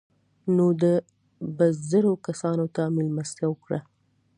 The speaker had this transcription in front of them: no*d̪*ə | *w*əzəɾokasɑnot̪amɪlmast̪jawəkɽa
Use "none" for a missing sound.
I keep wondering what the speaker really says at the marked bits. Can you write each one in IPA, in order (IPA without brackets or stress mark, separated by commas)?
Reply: d̪, b